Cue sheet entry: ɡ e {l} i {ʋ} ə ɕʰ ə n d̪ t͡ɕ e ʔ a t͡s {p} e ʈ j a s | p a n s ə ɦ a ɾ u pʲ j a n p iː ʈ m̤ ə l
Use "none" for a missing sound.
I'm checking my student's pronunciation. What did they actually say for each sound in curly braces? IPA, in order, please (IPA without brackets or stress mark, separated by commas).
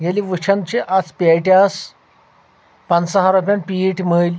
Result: l, ʋ, p